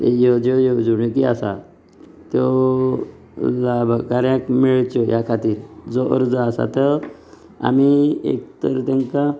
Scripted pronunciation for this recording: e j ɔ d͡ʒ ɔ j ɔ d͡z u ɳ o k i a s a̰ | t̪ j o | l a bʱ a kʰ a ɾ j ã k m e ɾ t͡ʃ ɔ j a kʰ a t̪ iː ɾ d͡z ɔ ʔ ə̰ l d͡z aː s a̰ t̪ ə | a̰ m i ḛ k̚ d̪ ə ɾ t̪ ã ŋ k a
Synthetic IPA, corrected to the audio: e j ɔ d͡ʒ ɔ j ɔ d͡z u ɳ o k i a s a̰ | t̪ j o | l a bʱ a k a ɾ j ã k m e ɭ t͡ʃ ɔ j a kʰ a t̪ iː ɾ d͡z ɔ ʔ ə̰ ɾ d͡z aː s a̰ t̪ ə | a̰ m i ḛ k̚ t̪ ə ɾ t̪ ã ŋ k a